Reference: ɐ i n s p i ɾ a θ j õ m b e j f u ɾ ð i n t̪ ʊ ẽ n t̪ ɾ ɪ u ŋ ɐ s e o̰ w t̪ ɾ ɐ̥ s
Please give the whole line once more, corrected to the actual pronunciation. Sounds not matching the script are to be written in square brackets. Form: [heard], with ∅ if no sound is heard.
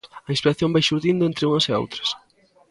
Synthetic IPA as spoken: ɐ i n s p i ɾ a θ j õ m b [a] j [ʃ] u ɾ ð i n [d̪] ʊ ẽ n t̪ ɾ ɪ u ŋ ɐ s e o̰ w t̪ ɾ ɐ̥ s